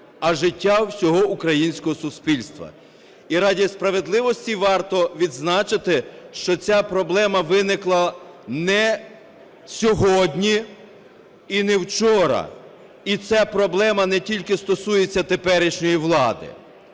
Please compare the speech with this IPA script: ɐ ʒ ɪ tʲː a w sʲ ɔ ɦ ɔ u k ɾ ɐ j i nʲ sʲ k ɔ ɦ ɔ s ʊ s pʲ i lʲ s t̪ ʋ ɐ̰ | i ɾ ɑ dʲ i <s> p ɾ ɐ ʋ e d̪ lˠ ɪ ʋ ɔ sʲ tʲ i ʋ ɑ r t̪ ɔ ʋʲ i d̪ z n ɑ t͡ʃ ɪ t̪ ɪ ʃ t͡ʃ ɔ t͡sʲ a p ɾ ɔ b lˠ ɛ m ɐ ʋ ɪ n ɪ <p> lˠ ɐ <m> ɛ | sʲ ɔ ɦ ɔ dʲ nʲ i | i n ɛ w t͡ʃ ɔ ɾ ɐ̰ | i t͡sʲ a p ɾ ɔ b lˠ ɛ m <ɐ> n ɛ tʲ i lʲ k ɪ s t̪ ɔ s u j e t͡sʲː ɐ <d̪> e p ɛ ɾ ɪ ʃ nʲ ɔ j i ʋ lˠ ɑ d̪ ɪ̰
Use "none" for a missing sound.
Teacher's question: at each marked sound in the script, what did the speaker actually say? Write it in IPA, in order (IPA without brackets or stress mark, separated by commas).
s, k, n, ɐ, t̪